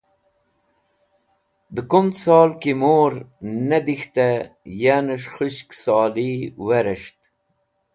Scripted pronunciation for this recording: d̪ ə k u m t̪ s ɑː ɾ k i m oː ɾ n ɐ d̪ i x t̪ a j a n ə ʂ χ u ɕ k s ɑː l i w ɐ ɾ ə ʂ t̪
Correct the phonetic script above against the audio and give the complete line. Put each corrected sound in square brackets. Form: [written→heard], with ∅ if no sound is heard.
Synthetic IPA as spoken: d̪ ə k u m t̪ s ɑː [ɾ→l] k i m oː ɾ n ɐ d̪ i x t̪ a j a n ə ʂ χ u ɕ k s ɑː l i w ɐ ɾ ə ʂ t̪